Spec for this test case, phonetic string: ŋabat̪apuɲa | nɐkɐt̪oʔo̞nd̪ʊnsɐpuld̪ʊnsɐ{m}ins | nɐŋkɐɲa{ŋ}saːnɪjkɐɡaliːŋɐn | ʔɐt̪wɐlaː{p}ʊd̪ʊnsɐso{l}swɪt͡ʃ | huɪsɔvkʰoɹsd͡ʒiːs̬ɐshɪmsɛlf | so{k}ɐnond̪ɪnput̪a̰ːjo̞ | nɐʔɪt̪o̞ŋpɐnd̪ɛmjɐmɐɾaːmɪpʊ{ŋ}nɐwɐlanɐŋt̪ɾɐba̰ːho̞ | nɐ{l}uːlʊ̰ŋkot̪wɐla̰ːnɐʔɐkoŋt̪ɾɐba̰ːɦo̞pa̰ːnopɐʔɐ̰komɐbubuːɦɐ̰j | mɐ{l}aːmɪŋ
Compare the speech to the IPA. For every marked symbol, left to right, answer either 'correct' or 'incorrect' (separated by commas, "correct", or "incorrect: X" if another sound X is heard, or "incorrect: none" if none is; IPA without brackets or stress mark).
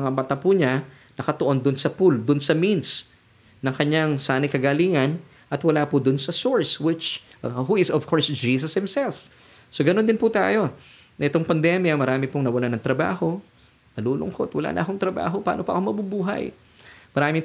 correct, correct, correct, incorrect: ɹ, incorrect: ɡ, correct, correct, incorrect: ɾ